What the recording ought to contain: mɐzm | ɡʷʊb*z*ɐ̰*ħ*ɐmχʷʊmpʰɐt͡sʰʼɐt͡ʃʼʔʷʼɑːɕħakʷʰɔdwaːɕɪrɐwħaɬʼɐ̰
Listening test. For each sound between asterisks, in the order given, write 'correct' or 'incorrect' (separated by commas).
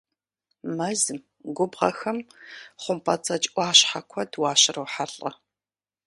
incorrect, incorrect